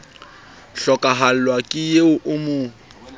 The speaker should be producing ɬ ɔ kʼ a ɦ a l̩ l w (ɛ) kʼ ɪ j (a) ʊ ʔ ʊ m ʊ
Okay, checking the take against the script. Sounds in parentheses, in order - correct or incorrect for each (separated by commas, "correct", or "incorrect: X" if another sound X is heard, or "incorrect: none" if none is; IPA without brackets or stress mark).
incorrect: a, incorrect: e